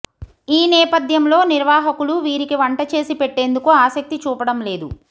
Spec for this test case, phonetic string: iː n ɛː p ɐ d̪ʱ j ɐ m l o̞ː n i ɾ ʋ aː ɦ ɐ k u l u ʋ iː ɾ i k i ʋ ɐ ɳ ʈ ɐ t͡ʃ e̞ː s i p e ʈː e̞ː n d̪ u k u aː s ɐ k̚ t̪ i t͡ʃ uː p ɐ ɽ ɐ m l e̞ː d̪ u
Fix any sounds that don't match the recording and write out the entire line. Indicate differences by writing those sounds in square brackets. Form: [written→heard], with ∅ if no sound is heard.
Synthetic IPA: iː n ɛː p ɐ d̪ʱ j ɐ m l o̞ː n i ɾ ʋ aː ɦ ɐ k u l u ʋ iː ɾ i k i ʋ ɐ ɳ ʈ ɐ t͡ʃ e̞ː s i p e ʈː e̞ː n d̪ u k u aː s ɐ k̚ t̪ i t͡ʃ uː p ɐ ɽ ɐ m l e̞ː d̪ u

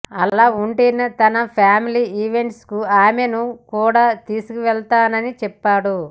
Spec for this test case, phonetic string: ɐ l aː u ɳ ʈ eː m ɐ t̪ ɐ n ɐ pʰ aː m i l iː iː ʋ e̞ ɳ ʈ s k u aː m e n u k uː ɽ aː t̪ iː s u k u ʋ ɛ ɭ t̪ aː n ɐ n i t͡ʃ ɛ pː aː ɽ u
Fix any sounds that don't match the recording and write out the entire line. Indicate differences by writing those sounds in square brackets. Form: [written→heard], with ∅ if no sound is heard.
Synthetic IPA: ɐ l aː u ɳ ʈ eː [m→n] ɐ t̪ ɐ n ɐ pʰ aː m i l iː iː ʋ e̞ ɳ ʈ s k u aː m e n u k uː ɽ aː t̪ iː s u k u ʋ ɛ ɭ t̪ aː n ɐ n i t͡ʃ ɛ pː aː ɽ u

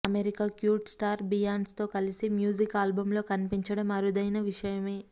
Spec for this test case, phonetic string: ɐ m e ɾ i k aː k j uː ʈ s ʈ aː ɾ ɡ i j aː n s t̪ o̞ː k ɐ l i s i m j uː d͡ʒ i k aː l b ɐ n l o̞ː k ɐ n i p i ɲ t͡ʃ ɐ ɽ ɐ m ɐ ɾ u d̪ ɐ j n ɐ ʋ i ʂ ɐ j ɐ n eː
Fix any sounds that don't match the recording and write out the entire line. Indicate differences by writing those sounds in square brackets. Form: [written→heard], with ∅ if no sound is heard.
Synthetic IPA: ɐ m e ɾ i k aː k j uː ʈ s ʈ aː ɾ [ɡ→b] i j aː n s t̪ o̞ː k ɐ l i s i m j uː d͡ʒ i k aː l b ɐ [n→m] l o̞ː k ɐ n i p i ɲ t͡ʃ ɐ ɽ ɐ m ɐ ɾ u d̪ ɐ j n ɐ ʋ i ʂ ɐ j ɐ [n→m] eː

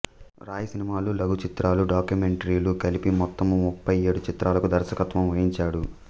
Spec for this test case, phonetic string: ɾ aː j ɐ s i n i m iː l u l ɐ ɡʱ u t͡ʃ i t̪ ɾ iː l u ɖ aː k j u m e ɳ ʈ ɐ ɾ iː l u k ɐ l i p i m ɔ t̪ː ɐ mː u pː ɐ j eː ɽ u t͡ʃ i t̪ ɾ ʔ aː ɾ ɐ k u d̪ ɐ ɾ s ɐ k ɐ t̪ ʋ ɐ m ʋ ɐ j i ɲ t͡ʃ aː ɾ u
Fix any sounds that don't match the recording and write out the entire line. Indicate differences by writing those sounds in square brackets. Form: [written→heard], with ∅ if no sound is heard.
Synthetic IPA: ɾ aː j ɐ s i n i m [iː→aː] l u l ɐ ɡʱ u t͡ʃ i t̪ ɾ [iː→aː] l u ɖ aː k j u m e ɳ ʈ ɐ ɾ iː l u k ɐ l i p i m ɔ t̪ː ɐ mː u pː ɐ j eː ɽ u t͡ʃ i t̪ ɾ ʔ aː [ɾ→l] ɐ k u d̪ ɐ ɾ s ɐ k ɐ t̪ ʋ ɐ m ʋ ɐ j i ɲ t͡ʃ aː [ɾ→ɽ] u

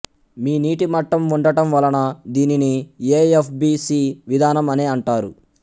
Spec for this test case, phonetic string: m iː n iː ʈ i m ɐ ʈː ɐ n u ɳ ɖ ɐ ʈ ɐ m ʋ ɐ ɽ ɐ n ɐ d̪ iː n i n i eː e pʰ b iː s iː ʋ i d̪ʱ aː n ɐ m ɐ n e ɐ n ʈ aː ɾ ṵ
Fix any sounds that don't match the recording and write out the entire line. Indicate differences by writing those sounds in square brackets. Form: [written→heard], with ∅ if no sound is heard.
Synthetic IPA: m iː n iː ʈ i m ɐ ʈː ɐ [n→m] u ɳ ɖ ɐ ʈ ɐ m ʋ ɐ [ɽ→l] ɐ n ɐ d̪ iː n i n i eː e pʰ b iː s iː ʋ i d̪ʱ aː n ɐ m ɐ n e ɐ [n→ɳ] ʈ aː ɾ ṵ

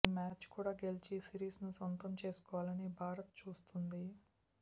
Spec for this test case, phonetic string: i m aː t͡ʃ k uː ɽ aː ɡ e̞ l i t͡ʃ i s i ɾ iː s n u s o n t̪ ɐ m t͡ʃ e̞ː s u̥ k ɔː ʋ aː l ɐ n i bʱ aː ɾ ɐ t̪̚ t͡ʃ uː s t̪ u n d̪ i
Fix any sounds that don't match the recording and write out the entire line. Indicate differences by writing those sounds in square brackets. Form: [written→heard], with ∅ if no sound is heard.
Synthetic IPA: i m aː t͡ʃ k uː ɽ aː ɡ e̞ l i t͡ʃ i s i ɾ iː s n u s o n t̪ ɐ m t͡ʃ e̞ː s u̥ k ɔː ʋ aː l ɐ n i bʱ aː ɾ ɐ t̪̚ t͡ʃ uː s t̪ u n d̪ i

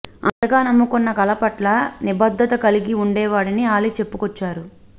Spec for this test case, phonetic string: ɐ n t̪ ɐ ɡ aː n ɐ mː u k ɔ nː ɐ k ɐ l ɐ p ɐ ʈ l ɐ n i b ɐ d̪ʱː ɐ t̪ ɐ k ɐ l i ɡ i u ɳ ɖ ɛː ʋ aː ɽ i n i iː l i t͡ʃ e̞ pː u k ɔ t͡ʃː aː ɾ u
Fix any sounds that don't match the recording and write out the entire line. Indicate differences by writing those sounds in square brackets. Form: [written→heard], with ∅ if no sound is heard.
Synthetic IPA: ɐ n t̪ ɐ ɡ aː n ɐ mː u k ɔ nː ɐ k ɐ l ɐ p ɐ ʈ l ɐ n i b ɐ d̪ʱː ɐ t̪ ɐ k ɐ l i ɡ i u ɳ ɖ ɛː ʋ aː ɽ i n i [iː→aː] l i t͡ʃ e̞ pː u k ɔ t͡ʃː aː ɾ u

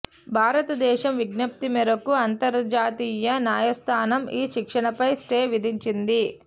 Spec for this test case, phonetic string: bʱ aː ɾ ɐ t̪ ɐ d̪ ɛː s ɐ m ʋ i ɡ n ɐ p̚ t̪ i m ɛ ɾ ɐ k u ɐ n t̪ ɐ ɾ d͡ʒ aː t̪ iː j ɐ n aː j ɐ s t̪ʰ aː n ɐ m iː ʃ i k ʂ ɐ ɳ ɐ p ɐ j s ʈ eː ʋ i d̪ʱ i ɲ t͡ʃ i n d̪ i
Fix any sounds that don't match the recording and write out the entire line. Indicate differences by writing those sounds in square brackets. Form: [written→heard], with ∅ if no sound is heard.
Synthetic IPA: bʱ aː ɾ ɐ t̪ ɐ d̪ ɛː [s→ʃ] ɐ m ʋ i ɡ n ɐ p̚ t̪ i m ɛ ɾ ɐ k u ɐ n t̪ ɐ ɾ d͡ʒ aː t̪ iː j ɐ n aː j ɐ s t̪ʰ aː n ɐ m iː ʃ i k ʂ ɐ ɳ ɐ p ɐ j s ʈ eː ʋ i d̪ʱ i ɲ t͡ʃ i n d̪ i

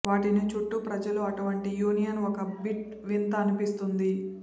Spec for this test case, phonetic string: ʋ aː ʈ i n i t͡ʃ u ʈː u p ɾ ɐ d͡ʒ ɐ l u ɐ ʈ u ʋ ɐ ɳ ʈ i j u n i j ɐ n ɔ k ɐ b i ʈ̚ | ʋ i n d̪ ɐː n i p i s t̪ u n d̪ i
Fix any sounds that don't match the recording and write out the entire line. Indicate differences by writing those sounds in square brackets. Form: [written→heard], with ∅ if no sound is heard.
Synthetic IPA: ʋ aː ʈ i n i t͡ʃ u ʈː u p ɾ ɐ d͡ʒ ɐ l u ɐ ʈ u ʋ ɐ ɳ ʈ i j [u→uː] n i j ɐ n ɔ k ɐ b i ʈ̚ | ʋ i n [d̪→t̪] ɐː n i p i s t̪ u n d̪ i

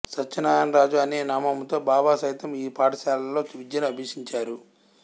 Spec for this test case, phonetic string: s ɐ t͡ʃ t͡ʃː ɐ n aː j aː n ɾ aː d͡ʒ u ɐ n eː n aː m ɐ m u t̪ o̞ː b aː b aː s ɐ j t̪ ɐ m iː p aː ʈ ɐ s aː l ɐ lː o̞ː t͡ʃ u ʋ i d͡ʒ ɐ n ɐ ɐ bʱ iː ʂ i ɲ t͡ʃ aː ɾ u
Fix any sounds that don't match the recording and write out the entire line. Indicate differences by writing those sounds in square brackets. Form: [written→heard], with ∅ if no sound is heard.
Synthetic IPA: s ɐ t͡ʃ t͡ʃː ɐ n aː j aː n ɾ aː d͡ʒ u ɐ n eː n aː m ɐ m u t̪ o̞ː b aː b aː s ɐ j t̪ ɐ m iː p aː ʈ ɐ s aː l ɐ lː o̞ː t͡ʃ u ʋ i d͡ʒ ɐ n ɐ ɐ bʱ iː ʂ i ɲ t͡ʃ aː ɾ u

